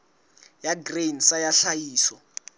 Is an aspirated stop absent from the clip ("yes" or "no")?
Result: yes